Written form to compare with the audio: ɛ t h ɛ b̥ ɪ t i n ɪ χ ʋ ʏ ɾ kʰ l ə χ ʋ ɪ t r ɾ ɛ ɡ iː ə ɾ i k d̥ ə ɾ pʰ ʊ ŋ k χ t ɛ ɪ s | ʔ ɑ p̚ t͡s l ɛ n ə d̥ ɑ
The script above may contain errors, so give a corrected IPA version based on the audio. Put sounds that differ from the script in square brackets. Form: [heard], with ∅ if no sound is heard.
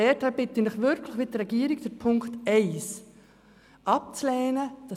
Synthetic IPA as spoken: ɛ t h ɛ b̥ ɪ t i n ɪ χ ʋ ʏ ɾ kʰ l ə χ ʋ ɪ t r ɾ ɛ ɡ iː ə ɾ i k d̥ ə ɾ pʰ ʊ ŋ k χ t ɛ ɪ s | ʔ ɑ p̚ t͡s l [ɛː] n ə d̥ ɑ